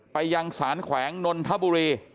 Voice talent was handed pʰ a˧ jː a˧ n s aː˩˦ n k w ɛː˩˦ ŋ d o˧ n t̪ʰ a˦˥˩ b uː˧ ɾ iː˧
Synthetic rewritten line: p a˧ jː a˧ ŋ s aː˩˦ n kʰ w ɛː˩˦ ŋ n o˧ n t̪ʰ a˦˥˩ b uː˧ ɾ iː˧

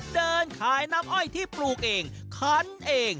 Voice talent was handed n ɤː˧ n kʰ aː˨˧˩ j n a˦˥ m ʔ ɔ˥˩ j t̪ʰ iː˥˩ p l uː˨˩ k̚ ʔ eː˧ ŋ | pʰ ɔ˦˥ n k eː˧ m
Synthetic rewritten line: d ɤː˧ n kʰ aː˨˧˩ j n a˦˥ m ʔ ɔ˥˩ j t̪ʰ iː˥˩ p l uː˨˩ k̚ ʔ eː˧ ŋ | kʰ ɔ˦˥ n ʔ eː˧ ŋ

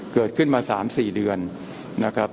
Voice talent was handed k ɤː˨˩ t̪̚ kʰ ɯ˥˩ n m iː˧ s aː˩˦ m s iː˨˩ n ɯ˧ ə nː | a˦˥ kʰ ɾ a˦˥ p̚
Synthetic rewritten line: k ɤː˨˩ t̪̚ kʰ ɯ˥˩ n m aː˧ s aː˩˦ m s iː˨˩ d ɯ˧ ə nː | a˦˥ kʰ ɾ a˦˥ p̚

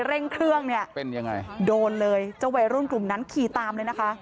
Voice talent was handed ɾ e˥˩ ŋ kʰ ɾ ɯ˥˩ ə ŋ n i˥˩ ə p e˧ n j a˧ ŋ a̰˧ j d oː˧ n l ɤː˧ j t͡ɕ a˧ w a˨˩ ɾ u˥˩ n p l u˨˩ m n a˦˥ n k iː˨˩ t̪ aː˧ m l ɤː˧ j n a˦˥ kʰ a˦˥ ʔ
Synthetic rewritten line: ɾ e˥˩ ŋ kʰ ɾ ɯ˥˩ ə ŋ n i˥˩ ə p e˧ n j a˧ ŋ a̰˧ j d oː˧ n l ɤː˧ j t͡ɕ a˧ w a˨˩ ɾ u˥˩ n k l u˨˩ m n a˦˥ n kʰ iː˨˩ t̪ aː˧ m l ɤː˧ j n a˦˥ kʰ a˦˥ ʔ

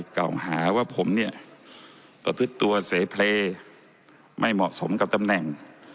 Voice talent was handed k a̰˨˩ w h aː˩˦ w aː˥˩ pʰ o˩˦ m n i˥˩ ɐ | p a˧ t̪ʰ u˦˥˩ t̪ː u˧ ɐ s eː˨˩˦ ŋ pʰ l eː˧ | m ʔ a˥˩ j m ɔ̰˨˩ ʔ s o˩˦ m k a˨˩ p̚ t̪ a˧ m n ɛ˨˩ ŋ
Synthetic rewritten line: k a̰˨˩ w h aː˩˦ w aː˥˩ pʰ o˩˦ m n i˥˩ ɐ | p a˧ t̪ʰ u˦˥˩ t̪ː u˧ ɐ s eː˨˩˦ pʰ l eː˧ | m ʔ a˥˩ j m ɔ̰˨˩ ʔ s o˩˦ m k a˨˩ p̚ t̪ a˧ m n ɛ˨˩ ŋ

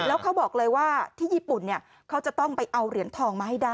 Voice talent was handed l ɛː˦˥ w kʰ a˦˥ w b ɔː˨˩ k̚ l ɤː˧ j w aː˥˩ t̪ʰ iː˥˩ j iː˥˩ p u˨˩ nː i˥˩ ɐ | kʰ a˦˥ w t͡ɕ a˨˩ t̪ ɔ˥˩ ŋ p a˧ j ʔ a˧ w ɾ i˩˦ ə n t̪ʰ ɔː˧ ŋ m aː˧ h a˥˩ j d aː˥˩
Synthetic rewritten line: l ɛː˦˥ w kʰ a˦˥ w b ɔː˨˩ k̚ l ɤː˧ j w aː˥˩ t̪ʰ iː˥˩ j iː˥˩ p u˨˩ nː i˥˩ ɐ | kʰ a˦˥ w t͡ɕ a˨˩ t̪ ɔ˥˩ ŋ p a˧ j ʔ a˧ w ɾ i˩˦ ə n t̪ʰ ɔː˧ ŋ m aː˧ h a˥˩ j d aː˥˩

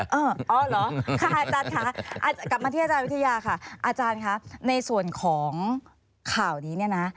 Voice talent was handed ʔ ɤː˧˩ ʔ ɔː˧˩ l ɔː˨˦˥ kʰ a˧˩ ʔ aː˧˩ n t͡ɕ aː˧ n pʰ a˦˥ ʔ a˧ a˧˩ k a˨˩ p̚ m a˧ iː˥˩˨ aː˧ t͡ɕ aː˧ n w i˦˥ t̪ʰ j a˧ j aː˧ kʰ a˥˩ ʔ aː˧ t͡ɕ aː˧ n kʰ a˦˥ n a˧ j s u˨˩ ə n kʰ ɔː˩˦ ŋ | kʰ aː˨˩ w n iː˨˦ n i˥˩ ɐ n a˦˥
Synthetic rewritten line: ʔ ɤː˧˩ ʔ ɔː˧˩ l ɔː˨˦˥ kʰ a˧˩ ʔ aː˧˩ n t͡ɕ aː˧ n kʰ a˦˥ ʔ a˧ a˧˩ k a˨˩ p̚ m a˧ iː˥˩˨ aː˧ t͡ɕ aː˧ n w i˦˥ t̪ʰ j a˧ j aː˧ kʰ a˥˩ ʔ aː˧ t͡ɕ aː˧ n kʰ a˦˥ n a˧ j s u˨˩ ə n kʰ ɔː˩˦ ŋ | kʰ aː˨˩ w n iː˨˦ n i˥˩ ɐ n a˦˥

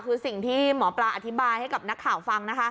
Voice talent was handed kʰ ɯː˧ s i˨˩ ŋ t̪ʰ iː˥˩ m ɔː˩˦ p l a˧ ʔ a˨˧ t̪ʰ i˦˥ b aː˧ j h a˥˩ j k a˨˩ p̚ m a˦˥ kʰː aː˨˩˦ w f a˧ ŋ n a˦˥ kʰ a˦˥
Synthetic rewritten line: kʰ ɯː˧ s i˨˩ ŋ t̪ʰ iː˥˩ m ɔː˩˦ p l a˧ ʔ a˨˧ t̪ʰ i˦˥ b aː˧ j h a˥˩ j k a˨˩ p̚ n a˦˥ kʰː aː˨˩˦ w f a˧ ŋ n a˦˥ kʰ a˦˥

